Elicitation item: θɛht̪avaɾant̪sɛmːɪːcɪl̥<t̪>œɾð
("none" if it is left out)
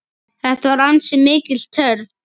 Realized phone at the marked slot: t̪ʰ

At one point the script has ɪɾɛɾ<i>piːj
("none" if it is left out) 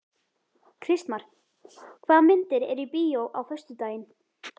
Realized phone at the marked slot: i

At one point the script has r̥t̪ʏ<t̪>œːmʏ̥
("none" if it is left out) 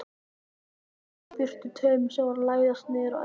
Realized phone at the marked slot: t̪ʰ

